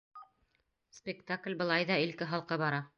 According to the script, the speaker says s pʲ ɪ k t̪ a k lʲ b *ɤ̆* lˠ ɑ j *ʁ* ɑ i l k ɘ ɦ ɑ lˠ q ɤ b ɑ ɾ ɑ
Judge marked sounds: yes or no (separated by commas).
yes, no